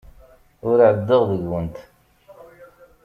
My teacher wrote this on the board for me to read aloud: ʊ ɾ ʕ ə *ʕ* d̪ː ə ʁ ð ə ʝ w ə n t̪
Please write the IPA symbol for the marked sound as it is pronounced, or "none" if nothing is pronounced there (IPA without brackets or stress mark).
none